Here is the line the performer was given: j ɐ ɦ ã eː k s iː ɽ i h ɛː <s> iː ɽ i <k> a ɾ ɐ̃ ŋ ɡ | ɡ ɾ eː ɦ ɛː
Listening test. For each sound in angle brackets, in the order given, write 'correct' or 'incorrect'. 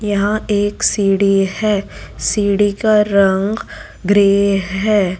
correct, correct

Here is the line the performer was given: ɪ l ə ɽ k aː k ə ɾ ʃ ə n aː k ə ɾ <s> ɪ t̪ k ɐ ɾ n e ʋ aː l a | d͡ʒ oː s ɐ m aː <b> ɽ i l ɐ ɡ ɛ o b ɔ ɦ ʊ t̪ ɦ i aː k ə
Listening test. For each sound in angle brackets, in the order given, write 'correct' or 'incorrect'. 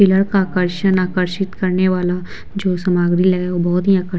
incorrect, incorrect

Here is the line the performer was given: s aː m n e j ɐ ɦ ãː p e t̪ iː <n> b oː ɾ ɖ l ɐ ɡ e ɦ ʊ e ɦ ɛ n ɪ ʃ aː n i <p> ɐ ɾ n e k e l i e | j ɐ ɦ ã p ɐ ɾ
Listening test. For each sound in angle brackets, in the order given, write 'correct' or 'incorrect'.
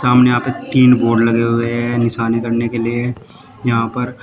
correct, incorrect

